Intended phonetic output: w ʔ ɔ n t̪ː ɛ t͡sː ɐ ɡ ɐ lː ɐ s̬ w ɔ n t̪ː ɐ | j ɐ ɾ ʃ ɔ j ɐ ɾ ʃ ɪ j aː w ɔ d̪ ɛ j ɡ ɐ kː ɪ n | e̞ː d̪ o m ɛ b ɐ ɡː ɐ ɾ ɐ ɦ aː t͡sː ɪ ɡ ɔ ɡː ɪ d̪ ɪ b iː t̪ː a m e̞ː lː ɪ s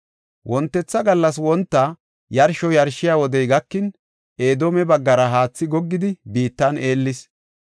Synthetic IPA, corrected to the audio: w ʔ ɔ n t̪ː ɛ t͡sː ɐ ɡ ɐ lː ɐ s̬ w ɔ n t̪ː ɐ | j ɐ ɾ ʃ ɔ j ɐ ɾ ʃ ɪ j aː w ɔ d̪ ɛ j ɡ ɐ kː ɪ n | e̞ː d̪ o m ɛ b ɐ ɡː ɐ ɾ ɐ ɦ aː t͡sː ɪ ɡ ɔ ɡː ɪ d̪ ɪ b iː t̪ː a n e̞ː lː ɪ s